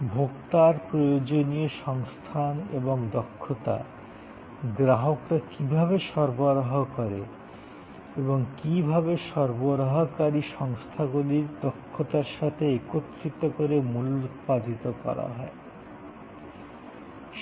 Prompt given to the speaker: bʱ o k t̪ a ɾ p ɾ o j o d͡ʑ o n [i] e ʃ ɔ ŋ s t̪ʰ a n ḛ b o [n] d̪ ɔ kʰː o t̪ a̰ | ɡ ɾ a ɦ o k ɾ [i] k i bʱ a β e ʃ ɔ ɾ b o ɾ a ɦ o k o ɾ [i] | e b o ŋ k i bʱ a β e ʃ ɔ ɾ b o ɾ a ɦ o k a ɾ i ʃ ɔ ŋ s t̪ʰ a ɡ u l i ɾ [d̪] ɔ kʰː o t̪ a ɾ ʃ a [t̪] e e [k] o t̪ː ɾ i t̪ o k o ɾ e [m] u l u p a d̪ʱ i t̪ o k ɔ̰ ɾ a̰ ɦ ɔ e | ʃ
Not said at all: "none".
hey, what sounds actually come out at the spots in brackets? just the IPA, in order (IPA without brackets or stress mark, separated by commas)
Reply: i, ŋ, a, e, d̪, t̪ʰ, k, m